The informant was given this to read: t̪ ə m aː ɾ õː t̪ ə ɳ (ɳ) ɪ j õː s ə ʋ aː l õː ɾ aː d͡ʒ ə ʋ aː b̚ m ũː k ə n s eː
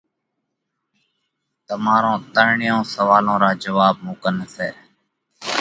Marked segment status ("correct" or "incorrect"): correct